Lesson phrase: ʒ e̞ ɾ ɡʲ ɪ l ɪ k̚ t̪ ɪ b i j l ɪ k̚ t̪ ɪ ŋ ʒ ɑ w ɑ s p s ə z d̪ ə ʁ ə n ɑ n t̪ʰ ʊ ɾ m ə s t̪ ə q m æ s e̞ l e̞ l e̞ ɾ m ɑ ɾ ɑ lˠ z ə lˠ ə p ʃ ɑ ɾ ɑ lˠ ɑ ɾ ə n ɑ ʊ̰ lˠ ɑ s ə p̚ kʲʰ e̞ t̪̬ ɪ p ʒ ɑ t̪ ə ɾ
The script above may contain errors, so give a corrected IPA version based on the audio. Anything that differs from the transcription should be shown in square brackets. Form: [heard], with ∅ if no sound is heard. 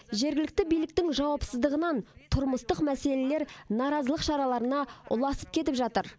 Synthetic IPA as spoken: ʒ e̞ ɾ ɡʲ ɪ l ɪ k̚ t̪ ɪ b i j l ɪ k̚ t̪ ɪ ŋ ʒ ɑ w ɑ [∅] p s ə z d̪ ə ʁ ə n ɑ n t̪ʰ ʊ ɾ m ə s t̪ ə q m æ s e̞ l e̞ l e̞ ɾ [n] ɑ ɾ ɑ [∅] z ə lˠ ə [q] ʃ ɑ ɾ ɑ lˠ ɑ ɾ ə n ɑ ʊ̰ lˠ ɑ s ə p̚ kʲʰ e̞ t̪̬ ɪ p ʒ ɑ t̪ ə ɾ